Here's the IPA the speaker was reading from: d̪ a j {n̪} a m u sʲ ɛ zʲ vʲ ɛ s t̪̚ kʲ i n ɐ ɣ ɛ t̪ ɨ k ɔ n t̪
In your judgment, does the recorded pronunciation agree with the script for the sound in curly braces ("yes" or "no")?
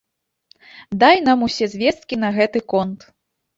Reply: yes